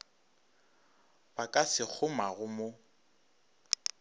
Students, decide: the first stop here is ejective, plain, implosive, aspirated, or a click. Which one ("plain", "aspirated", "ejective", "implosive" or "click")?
plain